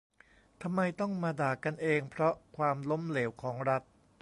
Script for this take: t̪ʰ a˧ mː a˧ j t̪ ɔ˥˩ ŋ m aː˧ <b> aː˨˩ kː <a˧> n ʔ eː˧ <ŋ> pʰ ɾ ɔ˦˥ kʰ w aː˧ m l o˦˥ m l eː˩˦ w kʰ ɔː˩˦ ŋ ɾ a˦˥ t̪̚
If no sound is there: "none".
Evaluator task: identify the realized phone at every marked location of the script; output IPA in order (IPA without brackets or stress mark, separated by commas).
d, a˧, ŋ